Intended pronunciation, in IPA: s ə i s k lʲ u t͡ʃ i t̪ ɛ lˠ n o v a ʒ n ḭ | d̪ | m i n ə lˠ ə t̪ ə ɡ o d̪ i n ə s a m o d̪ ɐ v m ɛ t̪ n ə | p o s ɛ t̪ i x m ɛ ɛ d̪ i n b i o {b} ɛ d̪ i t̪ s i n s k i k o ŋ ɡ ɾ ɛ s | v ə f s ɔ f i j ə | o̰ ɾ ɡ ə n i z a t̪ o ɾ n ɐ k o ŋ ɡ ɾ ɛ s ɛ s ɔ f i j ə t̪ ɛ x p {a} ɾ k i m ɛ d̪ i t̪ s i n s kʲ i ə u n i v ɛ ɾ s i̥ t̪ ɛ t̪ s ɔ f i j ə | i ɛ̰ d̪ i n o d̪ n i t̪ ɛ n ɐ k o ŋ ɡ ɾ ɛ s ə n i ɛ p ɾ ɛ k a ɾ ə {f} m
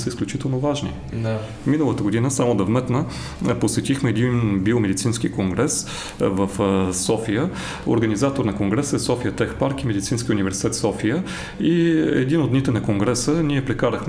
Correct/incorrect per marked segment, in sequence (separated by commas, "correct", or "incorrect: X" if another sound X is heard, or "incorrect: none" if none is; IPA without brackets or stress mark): incorrect: m, correct, incorrect: x